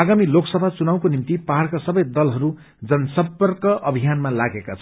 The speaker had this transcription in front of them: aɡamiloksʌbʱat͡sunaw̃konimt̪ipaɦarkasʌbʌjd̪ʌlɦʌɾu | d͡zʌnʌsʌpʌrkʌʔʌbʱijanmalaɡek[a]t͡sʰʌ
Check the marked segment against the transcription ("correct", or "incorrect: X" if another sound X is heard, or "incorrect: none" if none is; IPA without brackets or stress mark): correct